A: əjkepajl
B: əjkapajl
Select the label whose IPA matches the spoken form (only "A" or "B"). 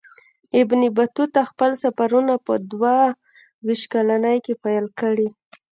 A